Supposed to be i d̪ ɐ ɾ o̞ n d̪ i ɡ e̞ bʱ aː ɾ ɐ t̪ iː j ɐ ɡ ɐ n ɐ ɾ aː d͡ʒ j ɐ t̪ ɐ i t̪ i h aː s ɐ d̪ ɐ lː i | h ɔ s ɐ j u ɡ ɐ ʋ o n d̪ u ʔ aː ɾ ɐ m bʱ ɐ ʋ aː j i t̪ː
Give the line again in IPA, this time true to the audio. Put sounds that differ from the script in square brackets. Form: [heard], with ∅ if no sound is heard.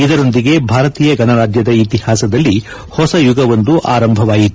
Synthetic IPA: i d̪ ɐ ɾ o̞ n d̪ i ɡ e̞ bʱ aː ɾ ɐ t̪ iː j ɐ ɡ ɐ n ɐ ɾ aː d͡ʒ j ɐ [d̪] ɐ i t̪ i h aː s ɐ d̪ ɐ lː i | h ɔ s ɐ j u ɡ ɐ ʋ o n d̪ u ʔ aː ɾ ɐ m bʱ ɐ ʋ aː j i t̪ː

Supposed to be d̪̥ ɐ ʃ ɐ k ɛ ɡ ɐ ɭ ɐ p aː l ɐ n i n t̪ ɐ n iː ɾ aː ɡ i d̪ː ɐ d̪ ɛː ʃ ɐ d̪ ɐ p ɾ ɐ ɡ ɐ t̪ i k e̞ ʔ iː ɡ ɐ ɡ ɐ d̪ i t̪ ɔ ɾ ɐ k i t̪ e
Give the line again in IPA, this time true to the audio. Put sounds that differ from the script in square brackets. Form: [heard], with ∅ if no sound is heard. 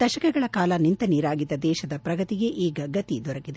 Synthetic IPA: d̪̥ ɐ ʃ ɐ k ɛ ɡ ɐ ɭ ɐ [k] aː l ɐ n i n t̪ ɐ n iː ɾ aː ɡ i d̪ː ɐ d̪ ɛː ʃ ɐ d̪ ɐ p ɾ ɐ ɡ ɐ t̪ i [ɡ] e̞ ʔ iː ɡ ɐ ɡ ɐ [t̪] i [d̪] ɔ ɾ ɐ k i [d̪] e

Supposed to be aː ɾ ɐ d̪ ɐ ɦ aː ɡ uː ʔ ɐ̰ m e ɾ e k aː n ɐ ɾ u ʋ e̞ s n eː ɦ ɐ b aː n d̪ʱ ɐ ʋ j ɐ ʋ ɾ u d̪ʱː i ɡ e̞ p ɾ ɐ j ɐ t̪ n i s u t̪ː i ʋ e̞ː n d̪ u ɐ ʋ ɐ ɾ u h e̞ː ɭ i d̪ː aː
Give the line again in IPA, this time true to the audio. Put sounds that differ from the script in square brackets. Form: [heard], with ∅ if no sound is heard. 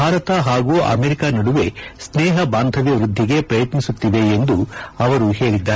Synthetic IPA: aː ɾ ɐ [t̪] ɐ ɦ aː ɡ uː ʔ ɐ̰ m e ɾ [i] k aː n ɐ [ɽ] u ʋ e̞ s n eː ɦ ɐ b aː n d̪ʱ ɐ ʋ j ɐ ʋ ɾ u d̪ʱː i ɡ e̞ p ɾ ɐ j ɐ t̪ n i s u t̪ː i ʋ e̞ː n d̪ u ɐ ʋ ɐ ɾ u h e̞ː ɭ i d̪ː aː

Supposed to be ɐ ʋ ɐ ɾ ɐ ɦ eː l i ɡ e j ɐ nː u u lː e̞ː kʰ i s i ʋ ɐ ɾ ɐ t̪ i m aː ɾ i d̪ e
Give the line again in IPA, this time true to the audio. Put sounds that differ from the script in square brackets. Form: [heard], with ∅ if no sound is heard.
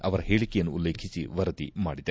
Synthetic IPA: ɐ ʋ ɐ ɾ ɐ ɦ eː [ɭ] i [k] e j ɐ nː u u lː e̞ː kʰ i s i ʋ ɐ ɾ ɐ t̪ i m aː [ɽ] i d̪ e

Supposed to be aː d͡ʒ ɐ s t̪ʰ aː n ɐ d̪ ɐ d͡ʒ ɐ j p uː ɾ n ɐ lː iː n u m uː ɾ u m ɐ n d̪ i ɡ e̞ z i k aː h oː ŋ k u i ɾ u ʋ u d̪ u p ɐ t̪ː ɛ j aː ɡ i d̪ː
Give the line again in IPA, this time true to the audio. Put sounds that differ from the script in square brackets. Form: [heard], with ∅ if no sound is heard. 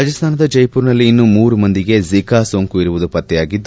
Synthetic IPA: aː d͡ʒ ɐ s t̪ʰ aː n ɐ d̪ ɐ d͡ʒ ɐ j p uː ɾ n ɐ lː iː [nː] u m uː ɾ u m ɐ n d̪ i ɡ e̞ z i k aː [s] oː ŋ k u i ɾ u ʋ u d̪ u p ɐ t̪ː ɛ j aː ɡ i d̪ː

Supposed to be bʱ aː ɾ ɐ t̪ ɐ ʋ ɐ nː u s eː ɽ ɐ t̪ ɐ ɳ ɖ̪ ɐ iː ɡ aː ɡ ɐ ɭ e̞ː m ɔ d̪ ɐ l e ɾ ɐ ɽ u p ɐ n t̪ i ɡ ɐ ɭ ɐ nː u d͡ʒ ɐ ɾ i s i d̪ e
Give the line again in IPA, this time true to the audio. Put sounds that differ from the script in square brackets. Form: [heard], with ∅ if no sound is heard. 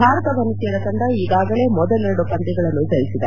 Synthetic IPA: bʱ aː ɾ ɐ t̪ ɐ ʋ ɐ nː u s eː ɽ ɐ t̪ ɐ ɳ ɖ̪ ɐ iː ɡ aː ɡ ɐ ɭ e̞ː m ɔ d̪ ɐ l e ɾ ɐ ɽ u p ɐ n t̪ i ɡ ɐ ɭ ɐ nː u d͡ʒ ɐ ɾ i s i d̪ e

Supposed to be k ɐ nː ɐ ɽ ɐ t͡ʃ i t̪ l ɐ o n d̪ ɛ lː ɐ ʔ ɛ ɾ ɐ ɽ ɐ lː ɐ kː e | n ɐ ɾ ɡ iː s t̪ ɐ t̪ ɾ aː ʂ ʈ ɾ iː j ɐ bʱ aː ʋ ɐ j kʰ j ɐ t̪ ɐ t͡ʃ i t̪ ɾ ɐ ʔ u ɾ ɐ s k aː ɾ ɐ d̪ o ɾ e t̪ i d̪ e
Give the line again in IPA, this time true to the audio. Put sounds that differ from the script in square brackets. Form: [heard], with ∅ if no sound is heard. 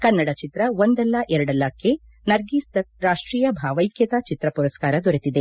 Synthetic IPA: k ɐ nː ɐ ɽ ɐ t͡ʃ i t̪ [ɾ] ɐ o n d̪ ɛ lː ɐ ʔ ɛ ɾ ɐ ɽ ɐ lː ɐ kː e | n ɐ ɾ ɡ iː s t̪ ɐ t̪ ɾ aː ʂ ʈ ɾ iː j ɐ bʱ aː ʋ ɐ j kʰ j ɐ t̪ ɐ t͡ʃ i t̪ ɾ ɐ [p] u ɾ ɐ s k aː ɾ ɐ d̪ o ɾ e t̪ i d̪ e

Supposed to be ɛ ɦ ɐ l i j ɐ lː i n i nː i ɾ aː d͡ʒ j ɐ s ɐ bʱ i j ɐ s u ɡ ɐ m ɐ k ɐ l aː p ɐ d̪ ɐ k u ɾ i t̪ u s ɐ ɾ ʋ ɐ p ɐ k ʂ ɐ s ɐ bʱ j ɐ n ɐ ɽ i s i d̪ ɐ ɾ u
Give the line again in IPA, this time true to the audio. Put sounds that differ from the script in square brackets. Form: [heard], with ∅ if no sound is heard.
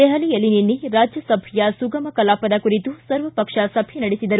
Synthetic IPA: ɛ ɦ ɐ l i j ɐ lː i n i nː i ɾ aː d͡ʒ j ɐ s ɐ bʱ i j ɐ s u ɡ ɐ m ɐ k ɐ l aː p ɐ d̪ ɐ k u ɾ i t̪ u s ɐ ɾ ʋ ɐ p ɐ k ʂ ɐ s ɐ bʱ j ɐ n ɐ ɽ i s i d̪ ɐ ɾ u

